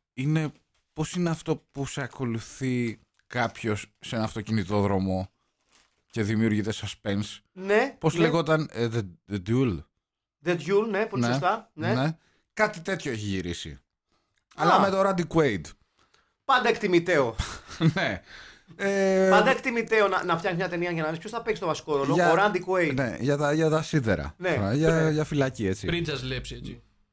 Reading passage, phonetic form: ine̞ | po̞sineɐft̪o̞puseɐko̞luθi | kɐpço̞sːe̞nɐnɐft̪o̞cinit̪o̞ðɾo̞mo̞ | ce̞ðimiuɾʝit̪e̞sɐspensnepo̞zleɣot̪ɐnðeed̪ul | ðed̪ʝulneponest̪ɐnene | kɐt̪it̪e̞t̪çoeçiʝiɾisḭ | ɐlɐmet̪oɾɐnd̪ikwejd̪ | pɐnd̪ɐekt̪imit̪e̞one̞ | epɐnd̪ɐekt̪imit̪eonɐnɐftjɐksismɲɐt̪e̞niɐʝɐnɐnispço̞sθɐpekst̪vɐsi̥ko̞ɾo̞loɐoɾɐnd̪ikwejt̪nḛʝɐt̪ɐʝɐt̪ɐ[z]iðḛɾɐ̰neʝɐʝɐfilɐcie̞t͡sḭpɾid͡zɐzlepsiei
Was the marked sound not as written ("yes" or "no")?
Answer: yes